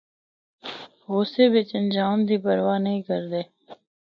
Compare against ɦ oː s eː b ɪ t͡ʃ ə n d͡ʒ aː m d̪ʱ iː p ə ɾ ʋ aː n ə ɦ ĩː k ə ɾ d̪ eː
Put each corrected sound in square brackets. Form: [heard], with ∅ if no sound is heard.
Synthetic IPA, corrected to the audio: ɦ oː s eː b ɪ t͡ʃ ə n d͡ʒ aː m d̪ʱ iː p ə ɾ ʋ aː n ə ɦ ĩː k ə ɾ d̪ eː

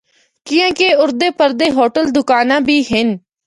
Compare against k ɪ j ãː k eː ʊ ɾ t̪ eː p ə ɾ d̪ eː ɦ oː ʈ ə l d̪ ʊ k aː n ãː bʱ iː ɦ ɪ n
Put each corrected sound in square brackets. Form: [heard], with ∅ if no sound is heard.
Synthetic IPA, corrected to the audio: k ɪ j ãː k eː ʊ ɾ [d̪] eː p ə ɾ d̪ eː ɦ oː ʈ ə l d̪ ʊ k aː n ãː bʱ iː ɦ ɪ n

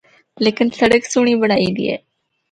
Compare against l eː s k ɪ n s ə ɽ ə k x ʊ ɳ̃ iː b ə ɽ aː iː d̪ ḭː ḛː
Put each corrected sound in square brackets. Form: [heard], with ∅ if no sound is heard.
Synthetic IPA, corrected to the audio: l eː [∅] k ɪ n s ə ɽ ə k [s] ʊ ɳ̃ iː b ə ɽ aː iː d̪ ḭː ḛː

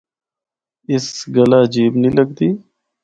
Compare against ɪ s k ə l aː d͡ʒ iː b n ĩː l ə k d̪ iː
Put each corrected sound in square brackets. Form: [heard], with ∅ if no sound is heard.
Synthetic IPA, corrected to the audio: ɪ s [ɡ] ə l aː d͡ʒ iː b n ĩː l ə [ɡ] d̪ iː

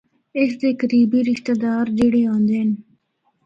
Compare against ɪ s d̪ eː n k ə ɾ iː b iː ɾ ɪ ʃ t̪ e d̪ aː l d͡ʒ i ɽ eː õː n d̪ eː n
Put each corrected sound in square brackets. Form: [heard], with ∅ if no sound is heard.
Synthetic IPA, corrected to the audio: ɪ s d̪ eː [∅] k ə ɾ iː b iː ɾ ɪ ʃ t̪ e d̪ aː [ɾ] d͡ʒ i ɽ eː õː n d̪ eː n

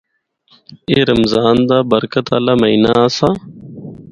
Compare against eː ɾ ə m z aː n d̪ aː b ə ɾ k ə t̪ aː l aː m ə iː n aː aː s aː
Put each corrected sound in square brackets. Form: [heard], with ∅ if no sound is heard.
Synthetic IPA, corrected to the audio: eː ɾ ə m z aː n d̪ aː b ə ɾ k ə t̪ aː l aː m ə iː n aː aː s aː

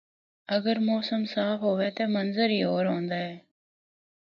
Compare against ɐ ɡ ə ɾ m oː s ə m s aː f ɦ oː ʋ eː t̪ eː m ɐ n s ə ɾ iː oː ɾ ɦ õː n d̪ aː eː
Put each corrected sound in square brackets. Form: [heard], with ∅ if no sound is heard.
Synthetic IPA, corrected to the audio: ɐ ɡ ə ɾ m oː s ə m s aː f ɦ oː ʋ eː t̪ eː m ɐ n [z] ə ɾ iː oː ɾ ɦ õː n d̪ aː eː

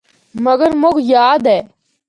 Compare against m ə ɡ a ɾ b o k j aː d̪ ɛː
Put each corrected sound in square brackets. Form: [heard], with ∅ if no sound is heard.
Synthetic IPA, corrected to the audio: m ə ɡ [ə] ɾ [m] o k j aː d̪ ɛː

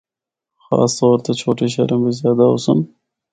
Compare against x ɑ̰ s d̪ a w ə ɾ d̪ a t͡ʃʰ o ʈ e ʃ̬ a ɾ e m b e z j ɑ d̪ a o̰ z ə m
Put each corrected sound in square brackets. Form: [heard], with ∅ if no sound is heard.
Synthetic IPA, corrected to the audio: x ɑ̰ s [t̪] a w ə ɾ [t̪] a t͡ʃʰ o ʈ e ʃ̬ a ɾ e m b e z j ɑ d̪ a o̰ [s] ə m

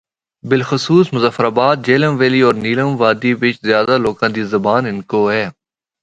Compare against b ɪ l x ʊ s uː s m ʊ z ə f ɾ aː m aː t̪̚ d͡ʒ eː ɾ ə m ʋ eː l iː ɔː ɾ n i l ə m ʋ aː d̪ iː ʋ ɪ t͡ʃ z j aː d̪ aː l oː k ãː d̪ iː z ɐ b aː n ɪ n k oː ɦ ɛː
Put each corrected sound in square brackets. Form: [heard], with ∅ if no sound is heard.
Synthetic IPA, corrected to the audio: b ɪ l x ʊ s uː s m ʊ z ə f ɾ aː [b] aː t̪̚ d͡ʒ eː [l] ə m ʋ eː l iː ɔː ɾ n [iː] l ə m ʋ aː d̪ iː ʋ ɪ t͡ʃ z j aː d̪ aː l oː k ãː d̪ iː z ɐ b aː n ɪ n k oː ɦ ɛː

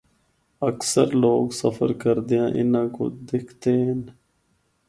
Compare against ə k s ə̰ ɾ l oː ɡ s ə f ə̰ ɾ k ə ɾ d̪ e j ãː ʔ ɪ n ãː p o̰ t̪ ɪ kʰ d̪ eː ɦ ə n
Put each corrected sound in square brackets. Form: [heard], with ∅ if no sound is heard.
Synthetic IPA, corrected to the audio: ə k s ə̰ ɾ l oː ɡ s ə f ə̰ ɾ k ə ɾ d̪ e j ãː ʔ ɪ n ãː [k] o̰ [d̪] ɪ kʰ [t̪] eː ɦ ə n

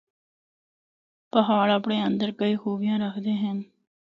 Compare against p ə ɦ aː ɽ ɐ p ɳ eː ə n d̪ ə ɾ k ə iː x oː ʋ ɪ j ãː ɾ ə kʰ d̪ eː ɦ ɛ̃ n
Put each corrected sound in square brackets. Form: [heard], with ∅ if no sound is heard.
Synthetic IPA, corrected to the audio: p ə ɦ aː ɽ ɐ p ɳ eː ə n d̪ ə ɾ k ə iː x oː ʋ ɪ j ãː ɾ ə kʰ d̪ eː ɦ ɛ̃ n

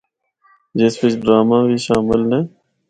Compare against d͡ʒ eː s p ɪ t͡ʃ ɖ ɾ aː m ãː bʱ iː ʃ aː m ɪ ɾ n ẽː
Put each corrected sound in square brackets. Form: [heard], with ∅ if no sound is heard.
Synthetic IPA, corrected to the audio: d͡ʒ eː s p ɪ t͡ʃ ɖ ɾ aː m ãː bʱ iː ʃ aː m ɪ [l] n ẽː

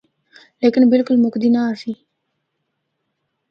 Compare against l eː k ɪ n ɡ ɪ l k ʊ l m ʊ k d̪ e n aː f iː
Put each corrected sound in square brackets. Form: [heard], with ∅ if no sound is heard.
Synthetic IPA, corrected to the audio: l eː k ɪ n [b] ɪ l k ʊ l m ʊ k d̪ [i] n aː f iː

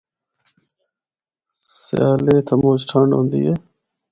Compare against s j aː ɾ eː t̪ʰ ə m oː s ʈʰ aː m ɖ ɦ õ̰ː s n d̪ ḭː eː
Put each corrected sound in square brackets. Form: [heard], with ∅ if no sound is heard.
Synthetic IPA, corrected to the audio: s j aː [l] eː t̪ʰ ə m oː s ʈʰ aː [ɳ] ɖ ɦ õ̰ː [∅] n d̪ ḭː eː

